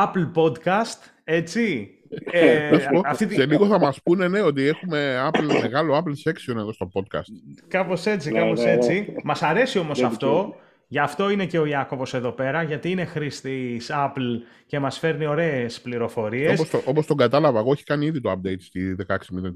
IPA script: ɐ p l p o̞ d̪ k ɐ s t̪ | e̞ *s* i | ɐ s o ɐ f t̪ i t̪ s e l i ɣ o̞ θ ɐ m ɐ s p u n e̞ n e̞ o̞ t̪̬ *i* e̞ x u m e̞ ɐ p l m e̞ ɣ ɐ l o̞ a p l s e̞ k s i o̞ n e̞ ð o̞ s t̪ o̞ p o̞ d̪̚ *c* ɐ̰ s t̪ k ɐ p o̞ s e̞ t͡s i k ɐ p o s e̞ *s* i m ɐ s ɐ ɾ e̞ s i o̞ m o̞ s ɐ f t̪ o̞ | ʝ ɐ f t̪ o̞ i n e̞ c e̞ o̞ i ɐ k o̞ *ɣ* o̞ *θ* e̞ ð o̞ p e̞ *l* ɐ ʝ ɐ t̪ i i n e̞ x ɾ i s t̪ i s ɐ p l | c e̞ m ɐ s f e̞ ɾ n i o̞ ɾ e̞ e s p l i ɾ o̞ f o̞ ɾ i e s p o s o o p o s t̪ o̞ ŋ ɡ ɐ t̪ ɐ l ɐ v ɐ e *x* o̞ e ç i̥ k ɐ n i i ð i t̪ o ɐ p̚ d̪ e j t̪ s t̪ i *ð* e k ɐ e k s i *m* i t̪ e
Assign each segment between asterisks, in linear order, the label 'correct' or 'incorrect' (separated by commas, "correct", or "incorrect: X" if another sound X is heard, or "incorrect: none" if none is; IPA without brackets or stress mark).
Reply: incorrect: t͡s, correct, incorrect: k, incorrect: t͡s, incorrect: v, incorrect: s, incorrect: ɾ, incorrect: ɣ, correct, correct